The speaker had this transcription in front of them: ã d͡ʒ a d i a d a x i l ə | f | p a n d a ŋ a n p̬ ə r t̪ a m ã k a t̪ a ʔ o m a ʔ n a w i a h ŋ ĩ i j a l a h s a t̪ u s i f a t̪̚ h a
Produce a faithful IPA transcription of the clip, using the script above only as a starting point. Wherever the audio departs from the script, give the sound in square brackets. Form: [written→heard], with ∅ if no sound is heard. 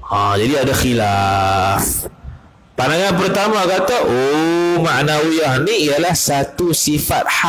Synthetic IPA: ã d͡ʒ a d i a d a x i l [ə→a] | f | p a n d a ŋ a n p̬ ə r t̪ a m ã k a t̪ a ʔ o m a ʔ n a w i a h [ŋ→n] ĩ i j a l a h s a t̪ u s i f a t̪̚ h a